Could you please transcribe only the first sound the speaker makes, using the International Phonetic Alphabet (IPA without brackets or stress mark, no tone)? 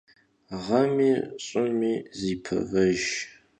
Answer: ʁ